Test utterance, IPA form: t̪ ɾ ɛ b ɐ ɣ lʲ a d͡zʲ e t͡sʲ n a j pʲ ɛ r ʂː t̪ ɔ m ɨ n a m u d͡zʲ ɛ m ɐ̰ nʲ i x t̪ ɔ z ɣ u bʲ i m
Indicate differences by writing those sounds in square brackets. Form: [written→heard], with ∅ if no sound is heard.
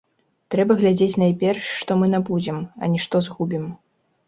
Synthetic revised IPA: t̪ ɾ ɛ b ɐ ɣ lʲ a d͡zʲ e t͡sʲ n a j pʲ ɛ r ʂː t̪ ɔ m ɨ n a [m→b] u d͡zʲ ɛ m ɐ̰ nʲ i [x→ʂ] t̪ ɔ z ɣ u bʲ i m